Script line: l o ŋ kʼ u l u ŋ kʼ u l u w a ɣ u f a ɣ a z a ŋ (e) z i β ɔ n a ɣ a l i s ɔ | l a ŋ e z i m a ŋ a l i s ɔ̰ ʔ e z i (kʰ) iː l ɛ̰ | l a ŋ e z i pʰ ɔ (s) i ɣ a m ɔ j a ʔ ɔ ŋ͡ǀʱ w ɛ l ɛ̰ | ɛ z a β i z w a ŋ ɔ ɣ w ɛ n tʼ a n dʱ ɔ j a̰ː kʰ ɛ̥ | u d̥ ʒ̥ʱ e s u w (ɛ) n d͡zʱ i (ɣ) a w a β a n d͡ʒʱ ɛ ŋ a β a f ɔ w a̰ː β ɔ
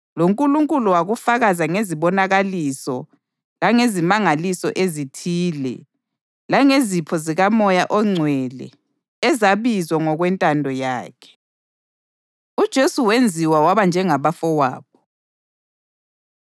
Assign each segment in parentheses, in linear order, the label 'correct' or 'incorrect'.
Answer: correct, incorrect, incorrect, incorrect, incorrect

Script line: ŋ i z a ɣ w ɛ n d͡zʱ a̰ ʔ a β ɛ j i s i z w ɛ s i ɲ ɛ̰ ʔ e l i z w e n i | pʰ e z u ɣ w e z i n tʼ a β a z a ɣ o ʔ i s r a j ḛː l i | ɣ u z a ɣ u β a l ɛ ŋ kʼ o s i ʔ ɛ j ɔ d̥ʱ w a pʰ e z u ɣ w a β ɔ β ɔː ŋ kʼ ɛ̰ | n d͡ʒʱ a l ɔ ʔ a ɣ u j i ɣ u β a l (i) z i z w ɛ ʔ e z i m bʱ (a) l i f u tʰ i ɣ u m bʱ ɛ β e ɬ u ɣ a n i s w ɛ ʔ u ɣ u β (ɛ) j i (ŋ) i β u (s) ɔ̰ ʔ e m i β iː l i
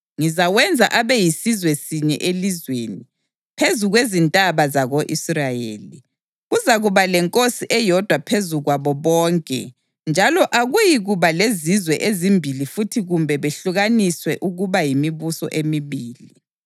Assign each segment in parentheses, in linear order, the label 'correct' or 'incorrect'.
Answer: incorrect, incorrect, incorrect, incorrect, correct

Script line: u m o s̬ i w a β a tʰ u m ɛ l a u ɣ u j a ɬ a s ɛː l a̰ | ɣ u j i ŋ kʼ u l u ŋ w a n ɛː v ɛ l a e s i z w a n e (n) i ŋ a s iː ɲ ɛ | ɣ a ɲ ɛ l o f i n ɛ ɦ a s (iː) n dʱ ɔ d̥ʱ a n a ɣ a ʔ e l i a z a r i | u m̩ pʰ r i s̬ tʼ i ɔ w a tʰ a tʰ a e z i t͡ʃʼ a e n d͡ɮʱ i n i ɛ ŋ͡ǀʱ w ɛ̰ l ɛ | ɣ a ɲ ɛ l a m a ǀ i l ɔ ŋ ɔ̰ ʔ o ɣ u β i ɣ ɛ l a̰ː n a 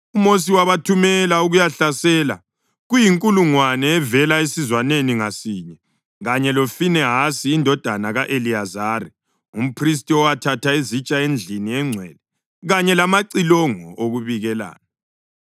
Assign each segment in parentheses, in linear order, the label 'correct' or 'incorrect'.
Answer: correct, correct

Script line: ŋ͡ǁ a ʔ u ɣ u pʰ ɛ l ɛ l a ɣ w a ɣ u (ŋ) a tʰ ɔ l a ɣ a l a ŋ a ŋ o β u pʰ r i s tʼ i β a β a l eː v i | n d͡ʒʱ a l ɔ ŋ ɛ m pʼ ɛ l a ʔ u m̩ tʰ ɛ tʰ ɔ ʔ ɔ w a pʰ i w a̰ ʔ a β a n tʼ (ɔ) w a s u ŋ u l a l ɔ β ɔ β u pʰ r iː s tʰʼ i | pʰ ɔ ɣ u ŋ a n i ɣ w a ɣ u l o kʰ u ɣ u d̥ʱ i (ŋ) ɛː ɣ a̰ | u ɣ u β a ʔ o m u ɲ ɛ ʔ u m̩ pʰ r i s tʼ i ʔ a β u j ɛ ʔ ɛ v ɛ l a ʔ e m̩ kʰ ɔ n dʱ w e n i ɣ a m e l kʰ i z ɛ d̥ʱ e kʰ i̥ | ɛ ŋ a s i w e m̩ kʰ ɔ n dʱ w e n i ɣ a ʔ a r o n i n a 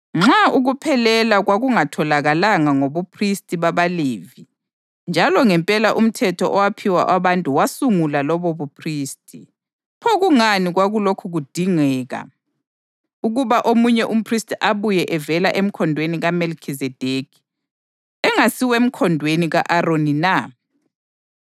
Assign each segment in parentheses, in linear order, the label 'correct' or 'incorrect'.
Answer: correct, incorrect, correct

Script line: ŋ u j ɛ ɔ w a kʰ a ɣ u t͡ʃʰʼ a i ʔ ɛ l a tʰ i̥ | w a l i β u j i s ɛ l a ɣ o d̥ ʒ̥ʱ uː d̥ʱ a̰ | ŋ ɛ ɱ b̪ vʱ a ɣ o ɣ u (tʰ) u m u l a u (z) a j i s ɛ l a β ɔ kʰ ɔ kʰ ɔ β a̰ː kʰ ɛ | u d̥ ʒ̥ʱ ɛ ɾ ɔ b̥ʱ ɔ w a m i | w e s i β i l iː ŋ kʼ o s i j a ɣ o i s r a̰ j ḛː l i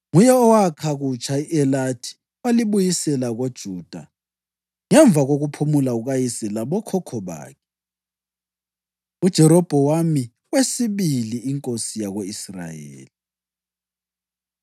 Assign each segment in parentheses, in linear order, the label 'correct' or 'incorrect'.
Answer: incorrect, incorrect

